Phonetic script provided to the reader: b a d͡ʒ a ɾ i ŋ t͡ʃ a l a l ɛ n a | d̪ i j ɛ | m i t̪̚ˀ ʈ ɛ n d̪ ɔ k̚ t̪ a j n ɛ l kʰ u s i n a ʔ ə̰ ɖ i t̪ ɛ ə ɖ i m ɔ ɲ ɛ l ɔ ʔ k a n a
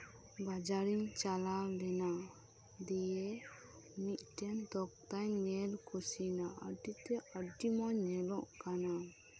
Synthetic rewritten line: b a d͡ʒ a ɾ i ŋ t͡ʃ a l a l ɛ n a | d̪ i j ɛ | m i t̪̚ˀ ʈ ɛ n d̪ ɔ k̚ t̪ a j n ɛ l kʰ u s i n a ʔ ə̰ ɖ i t̪ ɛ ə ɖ i m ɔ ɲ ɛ l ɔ ʔ k a n a